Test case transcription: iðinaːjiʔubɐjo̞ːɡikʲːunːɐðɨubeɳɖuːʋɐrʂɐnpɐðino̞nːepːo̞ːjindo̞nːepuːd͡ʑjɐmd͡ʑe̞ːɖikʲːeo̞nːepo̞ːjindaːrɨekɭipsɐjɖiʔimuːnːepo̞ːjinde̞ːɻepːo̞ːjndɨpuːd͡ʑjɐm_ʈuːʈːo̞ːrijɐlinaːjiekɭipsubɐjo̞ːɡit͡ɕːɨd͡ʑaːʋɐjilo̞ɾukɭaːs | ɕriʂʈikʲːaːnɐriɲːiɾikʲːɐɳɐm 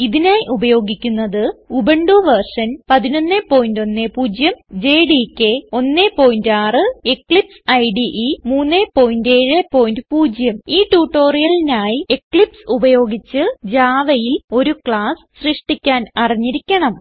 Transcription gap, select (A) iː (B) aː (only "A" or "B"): A